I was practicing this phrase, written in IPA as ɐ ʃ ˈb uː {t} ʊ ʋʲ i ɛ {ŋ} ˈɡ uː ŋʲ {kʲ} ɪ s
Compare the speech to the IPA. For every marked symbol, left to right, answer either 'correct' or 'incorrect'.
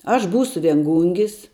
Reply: incorrect: s, correct, incorrect: ɡʲ

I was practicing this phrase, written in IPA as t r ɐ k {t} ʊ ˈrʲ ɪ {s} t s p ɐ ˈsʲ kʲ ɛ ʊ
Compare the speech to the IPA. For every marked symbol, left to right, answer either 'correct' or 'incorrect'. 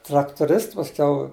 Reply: correct, correct

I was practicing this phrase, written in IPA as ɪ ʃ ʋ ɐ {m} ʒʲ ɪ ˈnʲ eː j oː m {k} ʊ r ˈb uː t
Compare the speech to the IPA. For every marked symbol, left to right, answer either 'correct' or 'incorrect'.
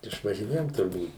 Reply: incorrect: none, incorrect: t

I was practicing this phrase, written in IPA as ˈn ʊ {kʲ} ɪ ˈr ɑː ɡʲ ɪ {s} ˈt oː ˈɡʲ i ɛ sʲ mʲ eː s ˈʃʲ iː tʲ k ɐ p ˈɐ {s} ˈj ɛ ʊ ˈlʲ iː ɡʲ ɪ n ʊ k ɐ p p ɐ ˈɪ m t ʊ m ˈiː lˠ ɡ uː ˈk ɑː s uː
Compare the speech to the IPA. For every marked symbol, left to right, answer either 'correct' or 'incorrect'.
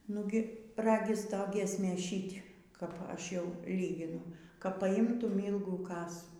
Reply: incorrect: ɡʲ, correct, incorrect: ʃ

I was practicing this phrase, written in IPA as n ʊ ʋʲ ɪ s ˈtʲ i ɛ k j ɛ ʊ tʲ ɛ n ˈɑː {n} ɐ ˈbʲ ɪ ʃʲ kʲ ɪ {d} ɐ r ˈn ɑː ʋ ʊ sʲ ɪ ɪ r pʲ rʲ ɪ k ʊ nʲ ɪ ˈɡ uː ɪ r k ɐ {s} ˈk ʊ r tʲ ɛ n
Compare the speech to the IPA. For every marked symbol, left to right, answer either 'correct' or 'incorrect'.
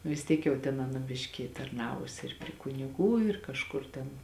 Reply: correct, incorrect: t, incorrect: ʃ

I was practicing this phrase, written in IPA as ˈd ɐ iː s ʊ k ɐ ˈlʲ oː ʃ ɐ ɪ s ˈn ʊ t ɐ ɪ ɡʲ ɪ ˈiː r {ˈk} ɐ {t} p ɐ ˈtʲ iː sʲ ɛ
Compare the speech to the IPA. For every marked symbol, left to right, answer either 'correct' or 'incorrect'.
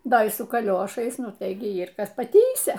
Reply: correct, incorrect: s

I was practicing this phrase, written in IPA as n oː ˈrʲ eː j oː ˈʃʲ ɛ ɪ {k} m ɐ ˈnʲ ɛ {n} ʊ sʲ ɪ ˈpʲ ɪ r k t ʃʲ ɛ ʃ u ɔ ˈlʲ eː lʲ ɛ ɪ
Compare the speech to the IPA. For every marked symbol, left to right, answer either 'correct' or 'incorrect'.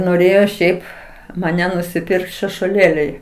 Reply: incorrect: p, correct

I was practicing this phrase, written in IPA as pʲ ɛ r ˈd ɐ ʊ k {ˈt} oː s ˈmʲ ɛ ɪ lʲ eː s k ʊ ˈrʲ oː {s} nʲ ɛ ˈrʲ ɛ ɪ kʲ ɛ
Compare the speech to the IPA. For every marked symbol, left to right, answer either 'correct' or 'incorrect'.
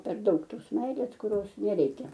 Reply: correct, correct

